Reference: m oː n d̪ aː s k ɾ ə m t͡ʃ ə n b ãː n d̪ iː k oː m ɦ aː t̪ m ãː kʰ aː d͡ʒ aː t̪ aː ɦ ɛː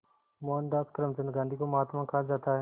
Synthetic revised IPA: m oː n d̪ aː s k ɾ ə m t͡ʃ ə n ɡ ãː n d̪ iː k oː m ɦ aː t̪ m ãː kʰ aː d͡ʒ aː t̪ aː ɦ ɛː